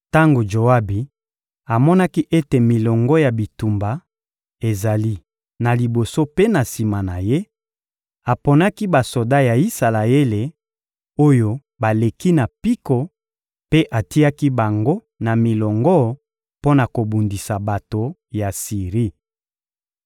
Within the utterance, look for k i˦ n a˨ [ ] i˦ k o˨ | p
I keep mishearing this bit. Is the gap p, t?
p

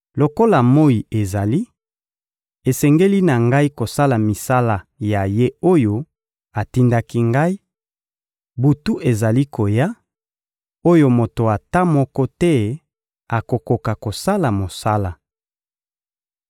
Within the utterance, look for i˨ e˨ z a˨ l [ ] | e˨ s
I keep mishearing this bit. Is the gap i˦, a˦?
i˦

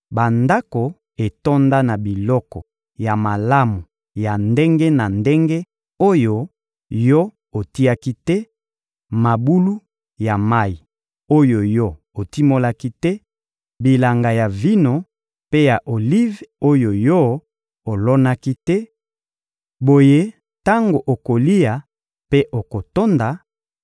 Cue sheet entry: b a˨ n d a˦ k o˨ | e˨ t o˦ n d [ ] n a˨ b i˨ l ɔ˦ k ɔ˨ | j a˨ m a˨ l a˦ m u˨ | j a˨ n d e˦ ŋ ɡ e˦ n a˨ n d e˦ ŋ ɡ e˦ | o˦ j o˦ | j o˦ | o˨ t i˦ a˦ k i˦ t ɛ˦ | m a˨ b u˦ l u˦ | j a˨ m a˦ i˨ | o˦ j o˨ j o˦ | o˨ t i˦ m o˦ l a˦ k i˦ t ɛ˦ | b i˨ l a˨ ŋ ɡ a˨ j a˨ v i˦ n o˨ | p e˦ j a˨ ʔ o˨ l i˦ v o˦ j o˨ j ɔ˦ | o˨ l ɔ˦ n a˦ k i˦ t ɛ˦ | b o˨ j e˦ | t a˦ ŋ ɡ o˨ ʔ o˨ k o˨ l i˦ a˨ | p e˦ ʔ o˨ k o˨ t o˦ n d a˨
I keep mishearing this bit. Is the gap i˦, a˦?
a˦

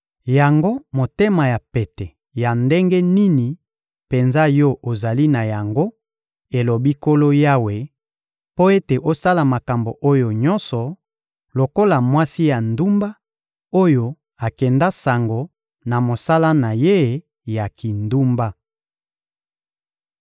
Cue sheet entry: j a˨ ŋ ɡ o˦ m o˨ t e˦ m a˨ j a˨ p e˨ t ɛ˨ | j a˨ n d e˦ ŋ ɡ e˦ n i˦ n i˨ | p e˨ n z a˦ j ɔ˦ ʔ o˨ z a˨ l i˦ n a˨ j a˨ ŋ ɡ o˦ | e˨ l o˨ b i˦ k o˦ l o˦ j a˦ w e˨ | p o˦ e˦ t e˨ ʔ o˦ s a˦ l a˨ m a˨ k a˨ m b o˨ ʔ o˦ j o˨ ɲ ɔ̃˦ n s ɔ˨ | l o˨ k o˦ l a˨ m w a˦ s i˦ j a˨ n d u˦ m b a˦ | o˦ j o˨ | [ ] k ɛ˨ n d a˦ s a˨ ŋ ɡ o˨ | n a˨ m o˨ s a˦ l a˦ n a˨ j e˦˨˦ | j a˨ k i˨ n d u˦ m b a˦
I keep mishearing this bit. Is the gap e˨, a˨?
a˨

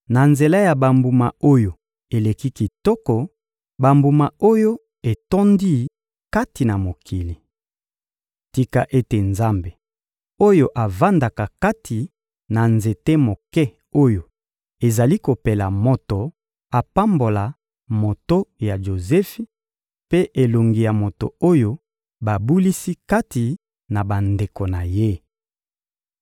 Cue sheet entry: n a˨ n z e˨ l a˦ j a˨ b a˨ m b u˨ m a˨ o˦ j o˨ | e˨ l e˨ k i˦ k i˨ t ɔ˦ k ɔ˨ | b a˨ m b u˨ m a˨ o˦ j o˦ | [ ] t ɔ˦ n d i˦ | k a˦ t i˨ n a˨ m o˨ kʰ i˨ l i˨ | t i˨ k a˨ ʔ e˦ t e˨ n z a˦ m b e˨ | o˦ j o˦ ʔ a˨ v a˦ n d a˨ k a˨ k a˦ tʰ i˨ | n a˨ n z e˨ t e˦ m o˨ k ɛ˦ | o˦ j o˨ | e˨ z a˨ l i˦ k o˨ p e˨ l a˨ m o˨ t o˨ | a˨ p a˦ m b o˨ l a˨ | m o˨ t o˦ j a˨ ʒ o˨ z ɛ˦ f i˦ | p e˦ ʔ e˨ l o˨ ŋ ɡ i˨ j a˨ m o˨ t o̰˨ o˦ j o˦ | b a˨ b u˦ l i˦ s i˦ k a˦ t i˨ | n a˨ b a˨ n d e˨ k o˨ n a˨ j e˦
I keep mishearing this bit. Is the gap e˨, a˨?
e˨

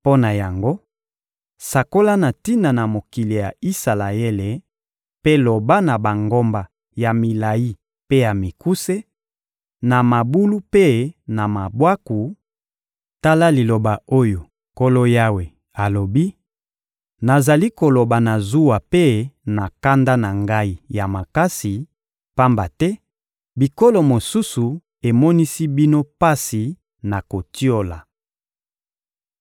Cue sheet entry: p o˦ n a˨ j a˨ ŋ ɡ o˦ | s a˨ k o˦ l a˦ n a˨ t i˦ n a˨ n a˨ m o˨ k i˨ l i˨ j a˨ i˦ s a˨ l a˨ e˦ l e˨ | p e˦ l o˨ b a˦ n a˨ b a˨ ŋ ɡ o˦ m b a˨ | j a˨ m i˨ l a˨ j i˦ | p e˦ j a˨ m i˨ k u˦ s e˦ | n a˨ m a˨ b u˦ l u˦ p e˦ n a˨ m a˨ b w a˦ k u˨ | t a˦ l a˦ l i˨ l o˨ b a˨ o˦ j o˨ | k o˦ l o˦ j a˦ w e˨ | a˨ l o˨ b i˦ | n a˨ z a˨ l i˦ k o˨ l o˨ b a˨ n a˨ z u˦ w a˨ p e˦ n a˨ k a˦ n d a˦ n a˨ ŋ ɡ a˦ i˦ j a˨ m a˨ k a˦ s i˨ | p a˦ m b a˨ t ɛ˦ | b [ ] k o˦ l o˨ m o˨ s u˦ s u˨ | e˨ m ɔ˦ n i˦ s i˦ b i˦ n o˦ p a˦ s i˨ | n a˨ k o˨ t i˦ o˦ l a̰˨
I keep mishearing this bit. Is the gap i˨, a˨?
i˨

